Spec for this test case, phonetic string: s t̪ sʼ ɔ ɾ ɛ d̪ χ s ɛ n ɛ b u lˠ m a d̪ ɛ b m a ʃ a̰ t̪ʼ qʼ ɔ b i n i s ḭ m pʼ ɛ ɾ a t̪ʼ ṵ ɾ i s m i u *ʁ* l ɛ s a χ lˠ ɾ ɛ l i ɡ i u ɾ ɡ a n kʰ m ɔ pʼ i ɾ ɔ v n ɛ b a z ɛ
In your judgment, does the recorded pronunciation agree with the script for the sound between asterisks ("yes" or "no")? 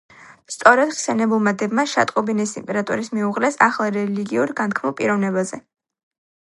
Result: yes